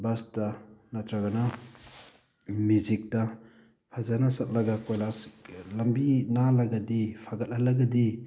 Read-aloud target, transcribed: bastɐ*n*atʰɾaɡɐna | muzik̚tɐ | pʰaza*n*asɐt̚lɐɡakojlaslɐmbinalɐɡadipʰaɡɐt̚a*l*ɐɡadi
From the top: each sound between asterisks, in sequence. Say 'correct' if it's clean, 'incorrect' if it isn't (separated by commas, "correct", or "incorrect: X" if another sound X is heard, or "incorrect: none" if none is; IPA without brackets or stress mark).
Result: correct, correct, correct